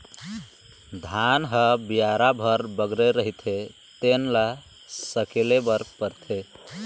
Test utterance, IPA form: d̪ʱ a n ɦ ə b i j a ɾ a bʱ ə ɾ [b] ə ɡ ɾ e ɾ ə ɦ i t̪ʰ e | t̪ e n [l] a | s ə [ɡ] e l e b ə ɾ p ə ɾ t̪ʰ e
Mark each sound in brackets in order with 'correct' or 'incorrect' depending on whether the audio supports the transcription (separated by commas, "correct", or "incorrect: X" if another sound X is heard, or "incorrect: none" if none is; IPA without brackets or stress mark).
correct, correct, incorrect: k